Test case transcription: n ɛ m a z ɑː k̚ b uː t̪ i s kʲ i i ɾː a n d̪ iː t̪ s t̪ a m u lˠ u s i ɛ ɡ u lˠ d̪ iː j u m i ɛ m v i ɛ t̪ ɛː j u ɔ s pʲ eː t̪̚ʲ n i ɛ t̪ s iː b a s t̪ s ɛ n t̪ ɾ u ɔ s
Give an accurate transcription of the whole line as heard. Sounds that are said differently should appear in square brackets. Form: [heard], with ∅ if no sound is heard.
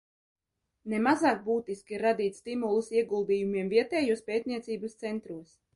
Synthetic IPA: n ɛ m a z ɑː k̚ b uː t̪ i s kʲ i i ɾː a [∅] d̪ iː t̪ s t̪ [i] m u lˠ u s i ɛ ɡ u lˠ d̪ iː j u m i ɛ m v i ɛ t̪ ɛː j u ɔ s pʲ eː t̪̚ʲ n i ɛ t̪ s iː b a s t̪ s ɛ n t̪ ɾ u ɔ s